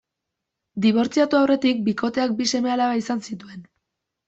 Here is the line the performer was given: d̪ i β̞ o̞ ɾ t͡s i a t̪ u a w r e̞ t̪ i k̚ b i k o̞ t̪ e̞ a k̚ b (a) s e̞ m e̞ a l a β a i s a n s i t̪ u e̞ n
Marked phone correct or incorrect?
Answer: incorrect